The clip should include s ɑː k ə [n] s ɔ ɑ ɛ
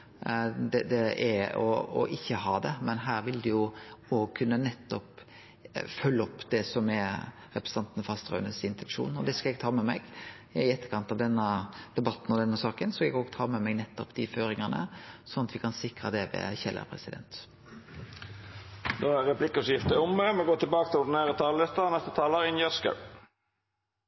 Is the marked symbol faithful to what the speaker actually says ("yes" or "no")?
yes